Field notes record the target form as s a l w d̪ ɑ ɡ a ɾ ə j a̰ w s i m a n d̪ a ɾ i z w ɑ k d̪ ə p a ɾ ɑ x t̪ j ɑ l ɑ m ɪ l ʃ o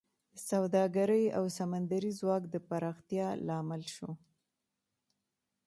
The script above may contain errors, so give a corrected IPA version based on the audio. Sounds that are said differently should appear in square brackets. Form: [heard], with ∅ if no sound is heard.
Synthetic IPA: s a [∅] w d̪ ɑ ɡ a ɾ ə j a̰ w s [a] m a n d̪ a ɾ i z w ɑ k d̪ ə p a ɾ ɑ x t̪ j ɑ l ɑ m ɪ l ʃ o